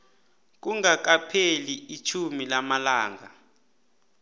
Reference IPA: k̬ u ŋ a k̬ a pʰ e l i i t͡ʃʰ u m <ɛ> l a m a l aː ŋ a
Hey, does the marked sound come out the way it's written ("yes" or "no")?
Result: no